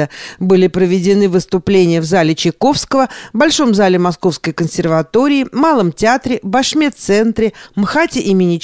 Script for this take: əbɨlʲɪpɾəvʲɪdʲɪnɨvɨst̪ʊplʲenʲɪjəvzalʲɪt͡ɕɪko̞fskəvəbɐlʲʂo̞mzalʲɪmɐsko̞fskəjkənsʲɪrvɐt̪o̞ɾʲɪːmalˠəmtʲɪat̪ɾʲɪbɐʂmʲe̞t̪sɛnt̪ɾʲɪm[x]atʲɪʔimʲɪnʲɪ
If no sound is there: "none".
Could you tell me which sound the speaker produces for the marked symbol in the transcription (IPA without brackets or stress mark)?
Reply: x